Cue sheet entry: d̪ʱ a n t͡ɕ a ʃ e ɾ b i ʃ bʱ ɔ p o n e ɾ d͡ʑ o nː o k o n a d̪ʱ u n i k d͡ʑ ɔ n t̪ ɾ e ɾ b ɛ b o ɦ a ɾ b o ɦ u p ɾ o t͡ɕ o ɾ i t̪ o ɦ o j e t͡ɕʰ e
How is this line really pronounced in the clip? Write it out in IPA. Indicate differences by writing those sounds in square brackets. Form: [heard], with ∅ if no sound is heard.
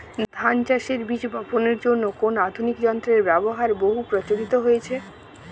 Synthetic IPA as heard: d̪ʱ a n t͡ɕ a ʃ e ɾ b i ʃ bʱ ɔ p o n e ɾ d͡ʑ o nː o k o n a d̪ʱ u n i k d͡ʑ ɔ n t̪ ɾ e ɾ b ɛ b o ɦ a ɾ b o ɦ u p ɾ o t͡ɕ o ɾ i t̪ o ɦ o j e t͡ɕʰ e